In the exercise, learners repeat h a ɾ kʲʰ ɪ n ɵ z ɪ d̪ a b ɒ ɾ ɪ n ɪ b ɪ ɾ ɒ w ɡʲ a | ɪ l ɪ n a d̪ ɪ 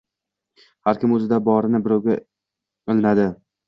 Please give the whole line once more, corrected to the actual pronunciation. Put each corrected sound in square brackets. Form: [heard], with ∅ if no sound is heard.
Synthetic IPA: h a ɾ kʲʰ ɪ [m] ɵ z ɪ d̪ a b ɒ ɾ ɪ n ɪ b ɪ ɾ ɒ w ɡʲ a | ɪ l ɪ n a d̪ ɪ

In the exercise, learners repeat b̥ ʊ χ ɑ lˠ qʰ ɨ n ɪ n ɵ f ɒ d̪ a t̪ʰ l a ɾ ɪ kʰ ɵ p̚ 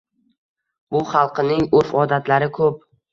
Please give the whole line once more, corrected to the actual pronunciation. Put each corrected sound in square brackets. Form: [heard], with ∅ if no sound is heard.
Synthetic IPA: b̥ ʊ χ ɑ lˠ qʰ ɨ n ɪ [ŋ] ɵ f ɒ d̪ a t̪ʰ l a ɾ ɪ kʰ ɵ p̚

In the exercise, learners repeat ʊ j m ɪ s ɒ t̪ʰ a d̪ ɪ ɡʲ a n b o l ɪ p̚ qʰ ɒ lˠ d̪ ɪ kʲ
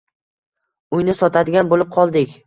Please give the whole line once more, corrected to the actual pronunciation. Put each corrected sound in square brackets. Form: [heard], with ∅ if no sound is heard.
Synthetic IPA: ʊ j [n] ɪ s ɒ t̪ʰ a d̪ ɪ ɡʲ a n b o l ɪ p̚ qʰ ɒ lˠ d̪ ɪ kʲ

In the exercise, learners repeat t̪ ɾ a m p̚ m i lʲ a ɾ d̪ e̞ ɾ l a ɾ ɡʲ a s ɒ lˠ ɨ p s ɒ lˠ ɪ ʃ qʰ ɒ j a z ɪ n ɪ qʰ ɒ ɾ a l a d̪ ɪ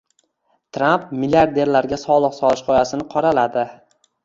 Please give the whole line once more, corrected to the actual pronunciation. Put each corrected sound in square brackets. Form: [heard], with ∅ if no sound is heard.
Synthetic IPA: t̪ ɾ a m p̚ m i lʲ a ɾ d̪ e̞ ɾ l a ɾ ɡʲ a s ɒ lˠ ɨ [q] s ɒ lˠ ɪ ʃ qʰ ɒ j a [s] ɪ n ɪ qʰ ɒ ɾ a l a d̪ ɪ

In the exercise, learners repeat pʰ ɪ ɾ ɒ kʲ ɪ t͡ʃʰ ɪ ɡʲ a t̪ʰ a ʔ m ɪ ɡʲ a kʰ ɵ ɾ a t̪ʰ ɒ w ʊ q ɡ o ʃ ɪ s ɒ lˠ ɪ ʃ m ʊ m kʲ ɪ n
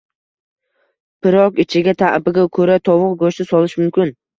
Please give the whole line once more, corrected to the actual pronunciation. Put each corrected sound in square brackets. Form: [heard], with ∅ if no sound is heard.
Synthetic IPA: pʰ ɪ ɾ ɒ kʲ ɪ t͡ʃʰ ɪ ɡʲ a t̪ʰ a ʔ [b] ɪ ɡʲ a kʰ ɵ ɾ a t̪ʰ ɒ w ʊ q ɡ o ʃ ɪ s ɒ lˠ ɪ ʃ m ʊ m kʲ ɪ n

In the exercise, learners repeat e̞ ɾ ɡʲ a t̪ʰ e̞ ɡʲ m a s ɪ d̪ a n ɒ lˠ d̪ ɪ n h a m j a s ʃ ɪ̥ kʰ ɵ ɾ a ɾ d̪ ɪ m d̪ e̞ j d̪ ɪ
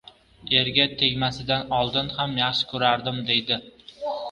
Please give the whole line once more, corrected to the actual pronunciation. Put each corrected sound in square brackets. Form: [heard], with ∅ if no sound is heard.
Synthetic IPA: e̞ ɾ ɡʲ a t̪ʰ e̞ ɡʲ m a s ɪ d̪ a n ɒ lˠ d̪ ɪ n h a m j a [χ] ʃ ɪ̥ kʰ ɵ ɾ a ɾ d̪ ɪ m d̪ e̞ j d̪ ɪ

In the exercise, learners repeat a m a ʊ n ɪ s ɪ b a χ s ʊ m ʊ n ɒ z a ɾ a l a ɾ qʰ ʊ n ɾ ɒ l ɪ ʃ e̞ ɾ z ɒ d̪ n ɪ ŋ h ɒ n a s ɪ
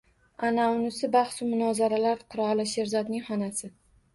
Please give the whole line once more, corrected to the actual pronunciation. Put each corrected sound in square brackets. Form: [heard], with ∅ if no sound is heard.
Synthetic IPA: a [n] a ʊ n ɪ s ɪ b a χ s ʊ m ʊ n ɒ z a ɾ a l a ɾ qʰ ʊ [∅] ɾ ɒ l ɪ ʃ e̞ ɾ z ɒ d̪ n ɪ ŋ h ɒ n a s ɪ

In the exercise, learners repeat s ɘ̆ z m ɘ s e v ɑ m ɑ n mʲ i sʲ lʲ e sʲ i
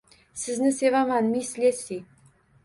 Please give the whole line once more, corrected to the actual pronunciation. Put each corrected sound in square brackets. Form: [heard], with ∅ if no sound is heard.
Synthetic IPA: s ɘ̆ z [n] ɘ s e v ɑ m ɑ n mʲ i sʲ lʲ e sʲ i

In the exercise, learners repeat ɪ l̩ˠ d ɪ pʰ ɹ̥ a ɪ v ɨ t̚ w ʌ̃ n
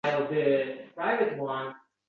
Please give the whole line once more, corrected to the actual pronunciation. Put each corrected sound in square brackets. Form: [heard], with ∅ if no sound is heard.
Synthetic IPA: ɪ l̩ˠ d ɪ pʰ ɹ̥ a ɪ v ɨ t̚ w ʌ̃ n

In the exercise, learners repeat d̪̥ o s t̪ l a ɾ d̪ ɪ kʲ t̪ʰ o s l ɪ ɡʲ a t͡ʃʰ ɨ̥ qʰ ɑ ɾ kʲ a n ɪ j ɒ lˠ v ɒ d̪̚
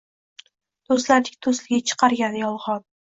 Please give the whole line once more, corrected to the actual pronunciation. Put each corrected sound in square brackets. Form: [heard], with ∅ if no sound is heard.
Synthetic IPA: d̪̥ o s t̪ l a ɾ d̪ ɪ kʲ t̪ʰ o s l ɪ ɡʲ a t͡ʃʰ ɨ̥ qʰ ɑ ɾ [ɡʲ] a n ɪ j ɒ lˠ [ʁ] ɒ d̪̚

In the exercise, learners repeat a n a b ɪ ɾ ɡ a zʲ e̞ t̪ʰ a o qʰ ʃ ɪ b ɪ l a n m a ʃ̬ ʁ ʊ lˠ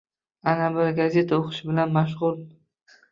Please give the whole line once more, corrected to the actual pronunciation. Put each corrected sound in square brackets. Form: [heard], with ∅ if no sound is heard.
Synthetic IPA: a n a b ɪ ɾ ɡ a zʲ e̞ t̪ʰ a o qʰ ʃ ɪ b ɪ l a n m a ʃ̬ ʁ ʊ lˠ

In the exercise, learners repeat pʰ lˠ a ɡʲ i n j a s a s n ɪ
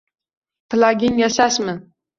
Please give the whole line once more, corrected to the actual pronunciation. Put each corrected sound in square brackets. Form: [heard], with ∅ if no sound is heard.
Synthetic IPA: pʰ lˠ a ɡʲ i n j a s a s [m] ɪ

